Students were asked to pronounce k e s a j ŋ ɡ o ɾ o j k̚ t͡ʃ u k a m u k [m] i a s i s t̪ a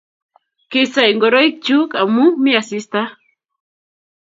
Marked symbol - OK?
yes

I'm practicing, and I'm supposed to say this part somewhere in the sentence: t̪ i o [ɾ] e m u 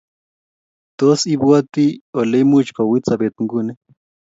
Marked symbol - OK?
no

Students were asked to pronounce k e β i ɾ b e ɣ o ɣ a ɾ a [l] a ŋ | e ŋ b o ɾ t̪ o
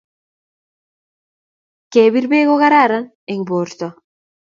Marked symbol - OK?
no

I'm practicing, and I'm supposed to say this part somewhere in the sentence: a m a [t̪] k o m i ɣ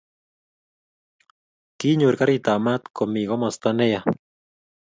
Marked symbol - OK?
yes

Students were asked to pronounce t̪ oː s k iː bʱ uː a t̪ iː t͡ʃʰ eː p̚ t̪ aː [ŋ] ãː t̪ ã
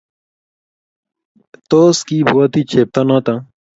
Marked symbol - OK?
no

